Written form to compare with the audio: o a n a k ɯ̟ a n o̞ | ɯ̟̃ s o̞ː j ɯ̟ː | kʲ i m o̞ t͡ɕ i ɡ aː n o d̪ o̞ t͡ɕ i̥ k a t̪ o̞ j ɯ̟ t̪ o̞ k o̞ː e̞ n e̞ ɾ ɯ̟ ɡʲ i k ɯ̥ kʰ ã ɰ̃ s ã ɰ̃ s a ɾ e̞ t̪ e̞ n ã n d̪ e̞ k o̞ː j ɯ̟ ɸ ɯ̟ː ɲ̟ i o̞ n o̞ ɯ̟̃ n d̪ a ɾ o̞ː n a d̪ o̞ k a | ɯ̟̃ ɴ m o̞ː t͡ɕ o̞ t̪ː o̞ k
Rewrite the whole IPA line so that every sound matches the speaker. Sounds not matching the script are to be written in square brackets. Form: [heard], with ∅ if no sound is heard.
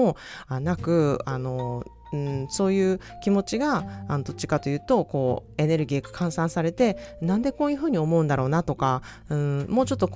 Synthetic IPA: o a n a k ɯ̟ a n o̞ | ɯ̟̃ s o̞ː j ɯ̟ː | kʲ i m o̞ t͡ɕ i ɡ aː n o d̪ o̞ t͡ɕ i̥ k a t̪ o̞ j [ɯ̟ː] t̪ o̞ k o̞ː e̞ n e̞ ɾ ɯ̟ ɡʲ i k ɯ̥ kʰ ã ɰ̃ s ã ɰ̃ s a ɾ e̞ t̪ e̞ n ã n d̪ e̞ k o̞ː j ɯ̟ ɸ ɯ̟ː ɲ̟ i o̞ [m] o̞ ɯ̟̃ n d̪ a ɾ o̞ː n a [t̪] o̞ k a | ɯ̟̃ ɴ m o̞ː t͡ɕ o̞ t̪ː o̞ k